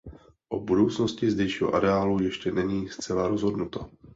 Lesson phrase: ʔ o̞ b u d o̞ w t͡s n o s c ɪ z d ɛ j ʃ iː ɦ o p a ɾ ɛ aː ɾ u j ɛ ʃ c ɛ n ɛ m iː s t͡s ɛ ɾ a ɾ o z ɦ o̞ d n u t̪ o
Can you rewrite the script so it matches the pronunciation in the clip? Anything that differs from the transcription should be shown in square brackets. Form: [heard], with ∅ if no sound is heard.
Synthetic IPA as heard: ʔ o̞ b u d o̞ w t͡s n o s c ɪ z d ɛ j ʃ iː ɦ o [ʔ] a ɾ ɛ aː [l] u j ɛ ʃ c ɛ n ɛ [ɲ] iː s t͡s ɛ [l] a ɾ o z ɦ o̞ d n u t̪ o